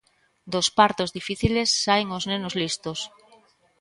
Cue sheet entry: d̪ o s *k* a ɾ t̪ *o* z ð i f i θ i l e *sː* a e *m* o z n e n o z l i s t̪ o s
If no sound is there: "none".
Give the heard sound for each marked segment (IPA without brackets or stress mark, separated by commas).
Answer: p, o, sː, ŋ